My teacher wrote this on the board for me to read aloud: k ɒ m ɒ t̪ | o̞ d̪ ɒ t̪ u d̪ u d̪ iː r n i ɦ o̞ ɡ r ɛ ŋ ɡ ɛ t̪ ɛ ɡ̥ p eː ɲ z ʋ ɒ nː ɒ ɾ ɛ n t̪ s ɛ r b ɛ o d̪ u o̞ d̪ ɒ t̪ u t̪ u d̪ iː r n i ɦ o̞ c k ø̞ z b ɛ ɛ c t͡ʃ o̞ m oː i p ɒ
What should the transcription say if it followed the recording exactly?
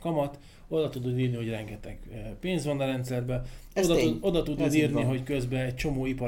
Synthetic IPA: k ɒ m ɒ t̪ | o̞ d̪ ɒ t̪ u d̪ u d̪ iː r n i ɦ o̞ ɟ r ɛ ŋ ɡ ɛ t̪ ɛ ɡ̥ p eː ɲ z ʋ ɒ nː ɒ ɾ ɛ n t̪ s ɛ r b ɛ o d̪ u o̞ d̪ ɒ t̪ u d̪ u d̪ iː r n i ɦ o̞ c k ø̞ z b ɛ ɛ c t͡ʃ o̞ m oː i p ɒ